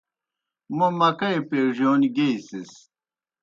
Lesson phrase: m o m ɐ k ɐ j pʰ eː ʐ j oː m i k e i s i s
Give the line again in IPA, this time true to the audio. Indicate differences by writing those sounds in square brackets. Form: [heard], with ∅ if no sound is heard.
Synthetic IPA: m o m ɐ k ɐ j [p] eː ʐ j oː [n] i [ɡ] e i s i s